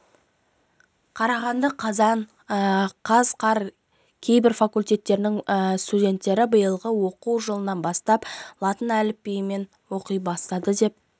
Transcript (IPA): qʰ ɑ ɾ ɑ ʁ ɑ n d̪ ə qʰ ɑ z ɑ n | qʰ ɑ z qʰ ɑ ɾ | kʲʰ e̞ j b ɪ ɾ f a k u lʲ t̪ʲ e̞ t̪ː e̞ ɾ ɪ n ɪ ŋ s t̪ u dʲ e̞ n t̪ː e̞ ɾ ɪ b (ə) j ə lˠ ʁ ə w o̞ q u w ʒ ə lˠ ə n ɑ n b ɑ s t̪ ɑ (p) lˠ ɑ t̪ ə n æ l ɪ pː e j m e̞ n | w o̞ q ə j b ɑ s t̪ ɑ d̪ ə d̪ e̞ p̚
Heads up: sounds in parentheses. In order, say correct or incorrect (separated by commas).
correct, correct